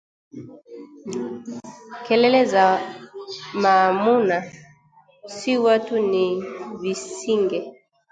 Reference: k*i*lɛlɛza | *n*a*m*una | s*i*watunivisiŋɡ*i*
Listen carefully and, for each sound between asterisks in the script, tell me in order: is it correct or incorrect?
incorrect: ɛ, incorrect: m, correct, correct, incorrect: ɛ

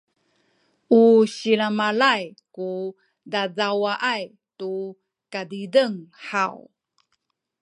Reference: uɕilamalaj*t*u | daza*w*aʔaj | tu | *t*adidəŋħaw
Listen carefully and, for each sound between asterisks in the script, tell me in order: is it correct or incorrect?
incorrect: k, correct, incorrect: k

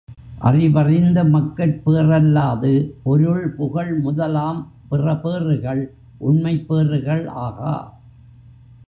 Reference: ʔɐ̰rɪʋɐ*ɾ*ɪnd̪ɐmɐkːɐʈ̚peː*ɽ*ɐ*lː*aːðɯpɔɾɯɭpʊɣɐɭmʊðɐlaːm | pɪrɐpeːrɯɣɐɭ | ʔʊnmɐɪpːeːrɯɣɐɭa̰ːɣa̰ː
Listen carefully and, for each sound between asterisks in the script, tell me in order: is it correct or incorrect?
incorrect: r, incorrect: r, correct

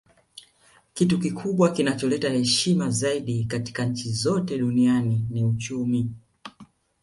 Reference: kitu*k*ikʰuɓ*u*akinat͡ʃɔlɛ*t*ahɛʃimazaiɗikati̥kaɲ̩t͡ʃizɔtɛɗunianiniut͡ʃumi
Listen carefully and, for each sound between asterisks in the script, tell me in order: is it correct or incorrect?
correct, incorrect: w, correct

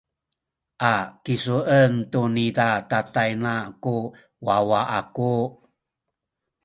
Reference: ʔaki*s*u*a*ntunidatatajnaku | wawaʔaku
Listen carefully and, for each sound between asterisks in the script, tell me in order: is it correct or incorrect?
correct, incorrect: ə

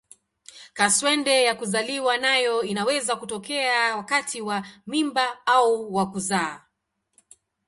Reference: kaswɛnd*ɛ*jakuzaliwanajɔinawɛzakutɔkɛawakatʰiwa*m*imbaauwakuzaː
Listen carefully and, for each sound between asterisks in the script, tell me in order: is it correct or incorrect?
correct, correct

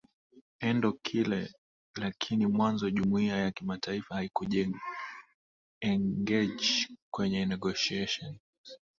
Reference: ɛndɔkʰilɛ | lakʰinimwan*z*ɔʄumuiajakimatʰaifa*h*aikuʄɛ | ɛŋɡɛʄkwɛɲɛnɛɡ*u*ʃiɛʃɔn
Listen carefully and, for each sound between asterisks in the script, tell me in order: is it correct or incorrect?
correct, correct, incorrect: ɔ

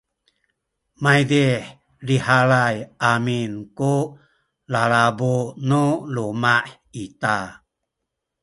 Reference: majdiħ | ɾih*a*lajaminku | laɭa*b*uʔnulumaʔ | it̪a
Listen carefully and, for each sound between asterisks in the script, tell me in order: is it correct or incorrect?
correct, correct

